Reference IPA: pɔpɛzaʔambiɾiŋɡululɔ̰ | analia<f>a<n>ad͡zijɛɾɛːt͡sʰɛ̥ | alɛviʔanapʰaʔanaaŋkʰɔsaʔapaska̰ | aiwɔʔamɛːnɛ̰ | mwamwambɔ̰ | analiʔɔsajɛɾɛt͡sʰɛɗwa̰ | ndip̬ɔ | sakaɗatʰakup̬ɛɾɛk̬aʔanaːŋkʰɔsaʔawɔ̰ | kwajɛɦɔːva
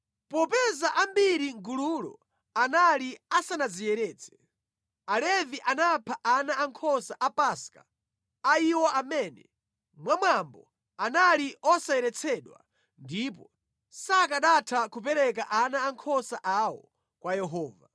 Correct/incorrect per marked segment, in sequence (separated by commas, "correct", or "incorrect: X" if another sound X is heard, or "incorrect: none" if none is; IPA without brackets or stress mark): incorrect: s, correct